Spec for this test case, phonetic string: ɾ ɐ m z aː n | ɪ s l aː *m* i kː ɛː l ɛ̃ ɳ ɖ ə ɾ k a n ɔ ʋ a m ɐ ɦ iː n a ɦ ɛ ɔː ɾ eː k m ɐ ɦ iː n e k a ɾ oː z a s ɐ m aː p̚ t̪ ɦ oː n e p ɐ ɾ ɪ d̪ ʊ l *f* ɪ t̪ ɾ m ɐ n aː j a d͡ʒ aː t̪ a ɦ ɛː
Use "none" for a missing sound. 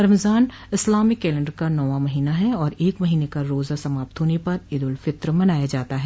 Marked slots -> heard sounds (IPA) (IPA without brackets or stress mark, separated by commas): m, f